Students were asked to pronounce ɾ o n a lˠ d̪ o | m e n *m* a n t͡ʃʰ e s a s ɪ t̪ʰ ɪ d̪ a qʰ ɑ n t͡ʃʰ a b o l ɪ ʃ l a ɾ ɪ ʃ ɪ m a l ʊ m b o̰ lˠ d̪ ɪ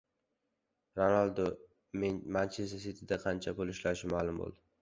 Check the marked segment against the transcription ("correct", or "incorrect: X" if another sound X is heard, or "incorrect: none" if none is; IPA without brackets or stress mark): correct